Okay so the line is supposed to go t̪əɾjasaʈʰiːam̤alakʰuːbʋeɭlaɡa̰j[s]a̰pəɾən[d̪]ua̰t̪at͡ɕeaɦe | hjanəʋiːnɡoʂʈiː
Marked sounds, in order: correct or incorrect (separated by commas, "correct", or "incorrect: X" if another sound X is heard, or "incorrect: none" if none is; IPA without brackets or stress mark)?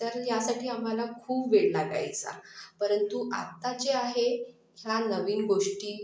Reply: incorrect: t͡s, incorrect: t̪